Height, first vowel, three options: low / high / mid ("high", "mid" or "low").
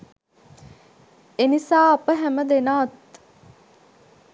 mid